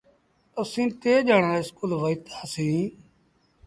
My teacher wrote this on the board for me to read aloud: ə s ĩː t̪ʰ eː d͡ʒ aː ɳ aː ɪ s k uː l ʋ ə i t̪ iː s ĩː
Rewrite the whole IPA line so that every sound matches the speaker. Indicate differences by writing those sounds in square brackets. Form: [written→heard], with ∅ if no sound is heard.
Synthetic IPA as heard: ə s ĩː [t̪ʰ→t̪] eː d͡ʒ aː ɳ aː ɪ s k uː l ʋ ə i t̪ [iː→aː] s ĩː